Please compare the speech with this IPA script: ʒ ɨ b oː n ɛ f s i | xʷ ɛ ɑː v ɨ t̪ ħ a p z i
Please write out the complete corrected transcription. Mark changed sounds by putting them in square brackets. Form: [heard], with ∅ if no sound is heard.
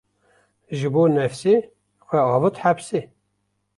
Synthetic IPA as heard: ʒ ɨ b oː n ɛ f s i | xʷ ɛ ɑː v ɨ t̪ ħ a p [s] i

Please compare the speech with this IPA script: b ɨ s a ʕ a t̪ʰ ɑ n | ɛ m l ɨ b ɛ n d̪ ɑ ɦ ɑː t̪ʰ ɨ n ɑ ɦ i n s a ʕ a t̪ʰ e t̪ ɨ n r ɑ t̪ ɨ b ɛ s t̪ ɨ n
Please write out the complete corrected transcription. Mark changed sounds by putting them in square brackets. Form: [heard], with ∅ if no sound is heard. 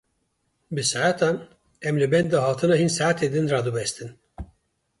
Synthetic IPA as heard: b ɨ s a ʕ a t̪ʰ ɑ n | ɛ m l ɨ b ɛ n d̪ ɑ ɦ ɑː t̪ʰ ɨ n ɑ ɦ i n s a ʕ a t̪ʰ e [d̪] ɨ n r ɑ [d̪] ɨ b ɛ s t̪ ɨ n

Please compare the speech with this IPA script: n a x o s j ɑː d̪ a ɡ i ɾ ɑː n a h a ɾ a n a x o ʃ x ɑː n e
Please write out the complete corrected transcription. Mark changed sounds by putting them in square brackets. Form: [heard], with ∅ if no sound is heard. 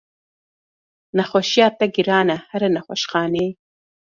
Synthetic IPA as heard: n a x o [ʃ] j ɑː [t̪] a ɡ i ɾ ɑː n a h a ɾ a n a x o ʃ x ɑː n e

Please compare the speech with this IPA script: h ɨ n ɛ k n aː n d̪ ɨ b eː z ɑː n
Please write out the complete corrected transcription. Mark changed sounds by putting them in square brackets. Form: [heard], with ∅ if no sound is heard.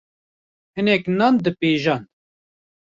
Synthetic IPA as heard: h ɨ n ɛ k n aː n d̪ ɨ [p] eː [ʒ] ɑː n

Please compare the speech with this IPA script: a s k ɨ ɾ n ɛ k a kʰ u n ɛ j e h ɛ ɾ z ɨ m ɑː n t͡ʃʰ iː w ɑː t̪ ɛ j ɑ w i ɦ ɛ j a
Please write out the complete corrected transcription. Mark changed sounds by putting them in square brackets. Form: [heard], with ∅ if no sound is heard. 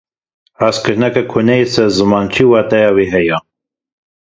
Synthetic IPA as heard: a s k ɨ ɾ n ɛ k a kʰ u n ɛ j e [s] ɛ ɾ z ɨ m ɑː n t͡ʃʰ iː w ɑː t̪ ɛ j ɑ w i ɦ ɛ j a

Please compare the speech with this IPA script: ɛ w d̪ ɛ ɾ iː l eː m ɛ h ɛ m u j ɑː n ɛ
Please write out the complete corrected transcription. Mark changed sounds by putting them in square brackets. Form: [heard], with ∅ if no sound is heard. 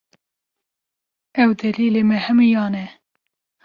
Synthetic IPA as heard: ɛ w d̪ ɛ [l] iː l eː m ɛ h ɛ m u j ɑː n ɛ

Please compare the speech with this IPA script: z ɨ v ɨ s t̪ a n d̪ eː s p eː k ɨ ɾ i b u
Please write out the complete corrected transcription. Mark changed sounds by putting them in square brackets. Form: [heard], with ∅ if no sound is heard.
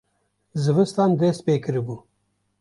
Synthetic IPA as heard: z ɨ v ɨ s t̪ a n d̪ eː s p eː k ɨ ɾ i b u

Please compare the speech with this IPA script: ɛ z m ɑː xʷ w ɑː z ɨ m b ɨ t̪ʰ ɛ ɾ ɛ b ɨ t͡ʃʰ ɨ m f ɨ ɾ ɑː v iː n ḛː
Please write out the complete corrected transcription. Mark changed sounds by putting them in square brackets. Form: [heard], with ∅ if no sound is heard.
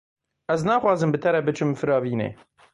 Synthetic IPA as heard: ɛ z [n] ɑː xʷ w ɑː z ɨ m b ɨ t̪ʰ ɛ ɾ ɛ b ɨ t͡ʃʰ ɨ m f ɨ ɾ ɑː v iː n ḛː

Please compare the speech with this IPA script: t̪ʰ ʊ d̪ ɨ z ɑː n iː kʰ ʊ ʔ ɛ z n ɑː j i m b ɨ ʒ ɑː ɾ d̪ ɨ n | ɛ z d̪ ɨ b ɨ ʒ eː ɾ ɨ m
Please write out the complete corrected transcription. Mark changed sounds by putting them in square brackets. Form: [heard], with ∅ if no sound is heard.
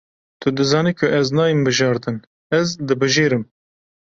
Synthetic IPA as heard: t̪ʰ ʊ d̪ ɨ z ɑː n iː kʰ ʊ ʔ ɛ z n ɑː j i m b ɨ ʒ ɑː ɾ d̪ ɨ n | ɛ z d̪ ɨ b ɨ ʒ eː ɾ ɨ m

